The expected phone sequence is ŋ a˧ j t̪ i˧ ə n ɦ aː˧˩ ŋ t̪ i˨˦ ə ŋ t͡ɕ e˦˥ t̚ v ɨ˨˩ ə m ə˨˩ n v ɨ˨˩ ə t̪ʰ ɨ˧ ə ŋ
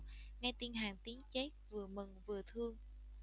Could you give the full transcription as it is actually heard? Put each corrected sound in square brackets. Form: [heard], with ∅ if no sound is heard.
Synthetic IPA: ŋ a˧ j t̪ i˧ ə n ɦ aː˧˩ ŋ t̪ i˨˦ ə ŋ t͡ɕ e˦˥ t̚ v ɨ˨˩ ə m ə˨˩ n v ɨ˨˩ ə t̪ʰ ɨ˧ ə ŋ